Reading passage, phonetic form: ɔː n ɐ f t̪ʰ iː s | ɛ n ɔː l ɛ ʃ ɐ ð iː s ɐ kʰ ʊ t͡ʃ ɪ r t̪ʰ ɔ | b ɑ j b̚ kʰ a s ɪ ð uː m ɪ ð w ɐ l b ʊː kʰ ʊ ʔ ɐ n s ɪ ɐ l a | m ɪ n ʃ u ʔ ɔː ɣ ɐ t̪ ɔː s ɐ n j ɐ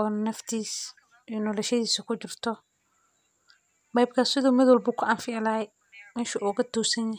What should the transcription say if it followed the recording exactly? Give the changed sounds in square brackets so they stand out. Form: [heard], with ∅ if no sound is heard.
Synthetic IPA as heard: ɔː n ɐ f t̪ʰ iː s | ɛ n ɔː l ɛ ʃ ɐ ð iː s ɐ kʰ ʊ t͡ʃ ɪ r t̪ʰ ɔ | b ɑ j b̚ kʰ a s ɪ ð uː m ɪ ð w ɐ l b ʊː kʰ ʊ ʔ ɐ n [f] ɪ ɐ l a | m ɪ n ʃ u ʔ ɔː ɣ ɐ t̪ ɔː s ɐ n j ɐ